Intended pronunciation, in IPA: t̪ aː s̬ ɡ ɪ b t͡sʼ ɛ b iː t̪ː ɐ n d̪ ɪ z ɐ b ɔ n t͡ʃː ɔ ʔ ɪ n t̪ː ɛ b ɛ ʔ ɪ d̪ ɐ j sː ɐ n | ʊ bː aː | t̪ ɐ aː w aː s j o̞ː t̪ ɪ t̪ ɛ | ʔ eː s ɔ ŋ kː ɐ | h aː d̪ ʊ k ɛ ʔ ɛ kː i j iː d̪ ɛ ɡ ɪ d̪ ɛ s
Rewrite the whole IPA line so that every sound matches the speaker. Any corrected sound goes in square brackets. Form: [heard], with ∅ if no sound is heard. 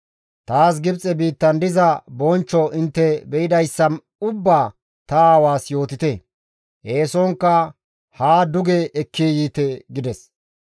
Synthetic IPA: t̪ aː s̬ ɡ ɪ b t͡sʼ ɛ b iː t̪ː ɐ n d̪ ɪ z ɐ b ɔ n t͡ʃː ɔ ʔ ɪ n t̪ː ɛ b ɛ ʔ ɪ d̪ ɐ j sː ɐ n | ʊ bː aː | t̪ ɐ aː w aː s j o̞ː t̪ ɪ t̪ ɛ | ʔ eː s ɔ ŋ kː ɐ | h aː d̪ ʊ [ɡ] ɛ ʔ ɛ kː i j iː [t̪] ɛ ɡ ɪ d̪ ɛ s